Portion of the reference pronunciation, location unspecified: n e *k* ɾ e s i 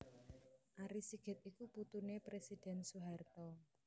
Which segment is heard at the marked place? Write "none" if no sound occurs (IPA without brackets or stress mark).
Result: p